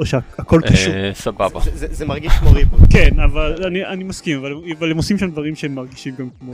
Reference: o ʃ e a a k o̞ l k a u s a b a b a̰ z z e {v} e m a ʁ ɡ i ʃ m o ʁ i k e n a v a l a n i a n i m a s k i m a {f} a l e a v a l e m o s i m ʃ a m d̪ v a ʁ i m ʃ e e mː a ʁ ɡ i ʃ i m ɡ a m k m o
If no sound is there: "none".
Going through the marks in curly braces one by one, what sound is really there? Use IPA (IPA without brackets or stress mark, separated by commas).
z, v